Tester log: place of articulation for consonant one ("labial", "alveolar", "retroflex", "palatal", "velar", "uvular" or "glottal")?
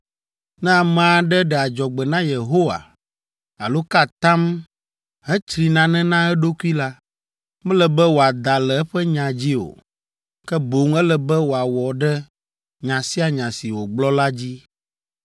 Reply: alveolar